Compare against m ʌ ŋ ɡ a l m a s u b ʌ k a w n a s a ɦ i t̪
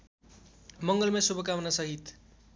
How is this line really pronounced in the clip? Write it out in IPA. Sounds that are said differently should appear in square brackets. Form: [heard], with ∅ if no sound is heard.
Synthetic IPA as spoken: m ʌ ŋ ɡ [ʌ] l m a s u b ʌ k a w n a s [ʌ] ɦ i t̪